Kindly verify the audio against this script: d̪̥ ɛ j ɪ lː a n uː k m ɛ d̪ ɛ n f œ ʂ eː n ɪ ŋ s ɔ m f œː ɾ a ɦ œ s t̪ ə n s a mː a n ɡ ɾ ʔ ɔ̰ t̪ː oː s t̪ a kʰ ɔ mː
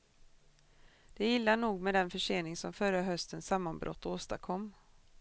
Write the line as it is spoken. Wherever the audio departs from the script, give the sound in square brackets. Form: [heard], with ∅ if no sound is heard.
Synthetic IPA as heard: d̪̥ ɛ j ɪ lː a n uː [ɡ] m ɛ d̪ ɛ n f œ ʂ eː n ɪ ŋ s ɔ m f [œ] ɾ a ɦ œ s t̪ ə n s a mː a n [b] ɾ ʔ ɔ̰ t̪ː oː s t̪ a kʰ ɔ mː